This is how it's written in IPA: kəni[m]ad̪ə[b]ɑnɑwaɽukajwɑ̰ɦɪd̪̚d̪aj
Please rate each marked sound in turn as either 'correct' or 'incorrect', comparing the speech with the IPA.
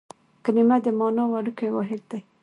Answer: correct, incorrect

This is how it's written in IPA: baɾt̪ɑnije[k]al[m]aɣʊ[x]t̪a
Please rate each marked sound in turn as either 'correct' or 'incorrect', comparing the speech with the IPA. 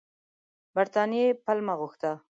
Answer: incorrect, correct, correct

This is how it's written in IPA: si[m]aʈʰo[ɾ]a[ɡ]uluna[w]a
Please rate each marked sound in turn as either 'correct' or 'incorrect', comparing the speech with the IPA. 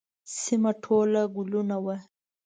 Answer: correct, incorrect, correct, correct

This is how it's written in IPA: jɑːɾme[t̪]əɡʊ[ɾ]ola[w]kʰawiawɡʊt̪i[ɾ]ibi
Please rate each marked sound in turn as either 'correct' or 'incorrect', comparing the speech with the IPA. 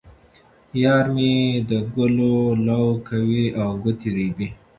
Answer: incorrect, incorrect, correct, correct

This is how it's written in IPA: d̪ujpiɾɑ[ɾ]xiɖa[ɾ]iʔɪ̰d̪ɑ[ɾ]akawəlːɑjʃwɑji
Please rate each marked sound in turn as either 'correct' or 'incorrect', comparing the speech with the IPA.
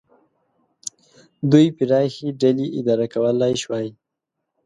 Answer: incorrect, incorrect, correct

